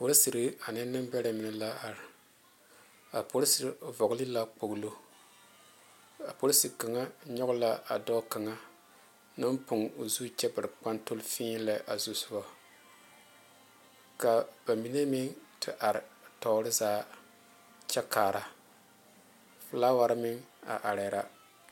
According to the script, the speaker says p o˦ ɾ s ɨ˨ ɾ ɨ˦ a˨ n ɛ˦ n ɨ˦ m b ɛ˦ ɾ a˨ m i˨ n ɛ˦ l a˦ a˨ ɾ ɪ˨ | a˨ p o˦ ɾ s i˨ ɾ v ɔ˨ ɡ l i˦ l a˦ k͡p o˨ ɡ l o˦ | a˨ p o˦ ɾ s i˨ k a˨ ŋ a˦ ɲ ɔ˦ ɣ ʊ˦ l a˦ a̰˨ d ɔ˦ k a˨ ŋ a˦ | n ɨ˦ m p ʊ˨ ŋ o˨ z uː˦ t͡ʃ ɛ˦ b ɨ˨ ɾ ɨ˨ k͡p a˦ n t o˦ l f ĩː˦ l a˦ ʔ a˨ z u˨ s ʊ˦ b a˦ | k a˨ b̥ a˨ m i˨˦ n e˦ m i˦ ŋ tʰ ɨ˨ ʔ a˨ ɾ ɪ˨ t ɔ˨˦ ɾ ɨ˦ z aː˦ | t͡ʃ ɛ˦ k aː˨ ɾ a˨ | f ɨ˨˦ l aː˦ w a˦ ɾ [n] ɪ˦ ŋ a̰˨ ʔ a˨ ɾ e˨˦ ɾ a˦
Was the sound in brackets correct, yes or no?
no